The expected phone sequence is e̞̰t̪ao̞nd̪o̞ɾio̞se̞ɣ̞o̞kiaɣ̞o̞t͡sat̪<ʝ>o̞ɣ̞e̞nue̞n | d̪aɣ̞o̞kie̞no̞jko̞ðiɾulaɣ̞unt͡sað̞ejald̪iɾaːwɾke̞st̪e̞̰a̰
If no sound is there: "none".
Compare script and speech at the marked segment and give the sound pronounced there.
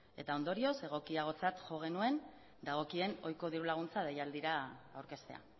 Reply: ʝ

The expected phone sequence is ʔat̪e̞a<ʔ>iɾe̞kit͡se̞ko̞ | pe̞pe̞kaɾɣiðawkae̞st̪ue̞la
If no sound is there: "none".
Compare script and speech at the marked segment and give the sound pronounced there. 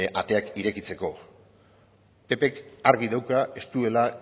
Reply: k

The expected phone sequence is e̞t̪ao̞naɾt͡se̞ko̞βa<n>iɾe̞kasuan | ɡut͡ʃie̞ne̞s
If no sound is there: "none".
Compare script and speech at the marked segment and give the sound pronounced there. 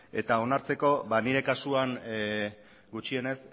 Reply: n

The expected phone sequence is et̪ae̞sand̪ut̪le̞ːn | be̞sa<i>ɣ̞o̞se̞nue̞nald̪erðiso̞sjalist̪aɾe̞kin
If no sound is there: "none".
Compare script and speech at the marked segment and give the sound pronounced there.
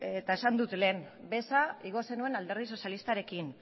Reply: i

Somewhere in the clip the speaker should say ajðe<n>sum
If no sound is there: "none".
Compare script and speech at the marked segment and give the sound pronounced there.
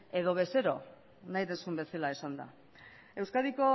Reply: n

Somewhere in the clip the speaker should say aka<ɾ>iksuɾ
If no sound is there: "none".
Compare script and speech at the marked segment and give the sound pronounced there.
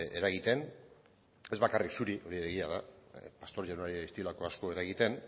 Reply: r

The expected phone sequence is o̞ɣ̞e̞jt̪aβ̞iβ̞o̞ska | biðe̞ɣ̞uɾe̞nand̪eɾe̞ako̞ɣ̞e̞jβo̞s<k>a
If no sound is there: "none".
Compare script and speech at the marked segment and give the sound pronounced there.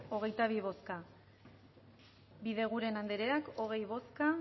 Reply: k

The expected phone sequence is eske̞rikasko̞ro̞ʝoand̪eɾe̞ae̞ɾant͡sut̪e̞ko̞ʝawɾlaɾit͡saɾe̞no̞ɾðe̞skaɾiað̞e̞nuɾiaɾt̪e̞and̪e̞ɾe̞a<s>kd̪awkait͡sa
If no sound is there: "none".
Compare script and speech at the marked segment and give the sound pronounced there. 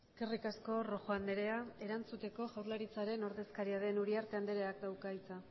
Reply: none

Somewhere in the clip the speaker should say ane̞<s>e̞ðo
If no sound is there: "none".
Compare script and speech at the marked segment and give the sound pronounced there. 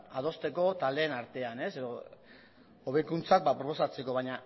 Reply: s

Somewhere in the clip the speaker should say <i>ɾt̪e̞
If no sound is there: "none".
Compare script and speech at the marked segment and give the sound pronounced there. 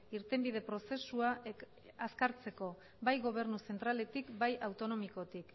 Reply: i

